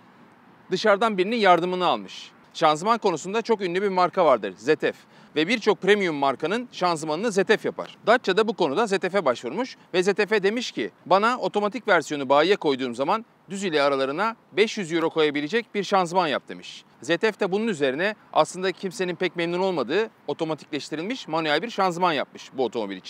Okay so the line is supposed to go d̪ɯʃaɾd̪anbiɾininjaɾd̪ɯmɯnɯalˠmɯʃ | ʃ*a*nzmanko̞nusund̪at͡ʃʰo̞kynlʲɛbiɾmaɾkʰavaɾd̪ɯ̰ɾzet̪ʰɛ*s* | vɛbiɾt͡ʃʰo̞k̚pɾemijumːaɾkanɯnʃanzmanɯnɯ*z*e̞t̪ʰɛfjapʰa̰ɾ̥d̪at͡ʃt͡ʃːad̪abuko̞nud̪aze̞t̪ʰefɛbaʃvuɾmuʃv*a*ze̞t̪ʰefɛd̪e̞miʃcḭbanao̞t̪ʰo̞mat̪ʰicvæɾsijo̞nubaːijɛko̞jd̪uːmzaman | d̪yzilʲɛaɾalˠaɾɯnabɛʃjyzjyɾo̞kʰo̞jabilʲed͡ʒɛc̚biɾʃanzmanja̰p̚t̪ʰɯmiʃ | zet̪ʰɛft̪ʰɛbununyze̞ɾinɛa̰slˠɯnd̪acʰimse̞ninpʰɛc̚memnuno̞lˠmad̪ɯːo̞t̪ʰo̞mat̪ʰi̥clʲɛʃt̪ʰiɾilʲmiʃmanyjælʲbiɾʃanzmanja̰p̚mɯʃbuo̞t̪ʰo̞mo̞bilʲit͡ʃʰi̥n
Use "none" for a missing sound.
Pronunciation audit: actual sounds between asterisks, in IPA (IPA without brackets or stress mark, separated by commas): a, f, z, ɛ